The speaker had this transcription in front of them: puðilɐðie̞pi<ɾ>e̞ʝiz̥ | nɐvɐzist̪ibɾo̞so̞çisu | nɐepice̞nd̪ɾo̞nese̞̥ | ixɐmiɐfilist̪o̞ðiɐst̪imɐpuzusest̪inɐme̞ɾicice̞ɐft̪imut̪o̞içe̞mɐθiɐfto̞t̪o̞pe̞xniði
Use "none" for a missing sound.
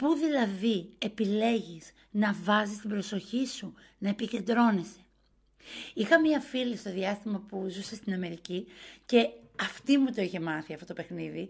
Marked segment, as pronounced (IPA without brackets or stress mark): l